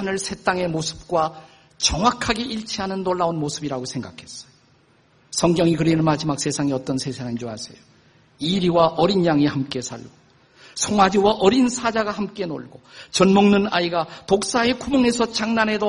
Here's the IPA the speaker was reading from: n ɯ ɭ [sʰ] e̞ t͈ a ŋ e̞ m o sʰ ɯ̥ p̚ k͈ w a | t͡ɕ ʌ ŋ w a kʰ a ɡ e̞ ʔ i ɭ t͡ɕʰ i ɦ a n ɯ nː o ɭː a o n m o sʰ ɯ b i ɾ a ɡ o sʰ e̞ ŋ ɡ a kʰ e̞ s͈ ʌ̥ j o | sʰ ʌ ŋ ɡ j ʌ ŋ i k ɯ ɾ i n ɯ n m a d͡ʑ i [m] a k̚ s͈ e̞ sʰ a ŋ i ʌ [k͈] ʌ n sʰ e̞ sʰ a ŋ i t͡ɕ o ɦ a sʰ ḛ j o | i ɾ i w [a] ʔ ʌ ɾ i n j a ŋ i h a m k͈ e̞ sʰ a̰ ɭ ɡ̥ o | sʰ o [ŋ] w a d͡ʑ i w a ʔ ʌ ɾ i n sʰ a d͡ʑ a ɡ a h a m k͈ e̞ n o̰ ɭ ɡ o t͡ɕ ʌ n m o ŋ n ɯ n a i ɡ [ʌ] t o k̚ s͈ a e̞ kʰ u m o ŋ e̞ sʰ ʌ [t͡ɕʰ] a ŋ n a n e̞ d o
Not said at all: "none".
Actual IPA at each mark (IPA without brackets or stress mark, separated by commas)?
sʰ, m, t͈, a, ŋ, a, t͡ɕ